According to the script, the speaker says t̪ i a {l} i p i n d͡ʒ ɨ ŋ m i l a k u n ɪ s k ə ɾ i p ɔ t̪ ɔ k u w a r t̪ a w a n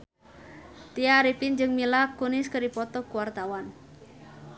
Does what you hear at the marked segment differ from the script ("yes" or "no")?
yes